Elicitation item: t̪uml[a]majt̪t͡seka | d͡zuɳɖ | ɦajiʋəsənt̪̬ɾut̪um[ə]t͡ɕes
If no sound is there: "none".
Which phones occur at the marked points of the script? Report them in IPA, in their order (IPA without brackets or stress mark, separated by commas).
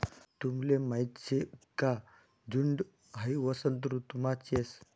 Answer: e, a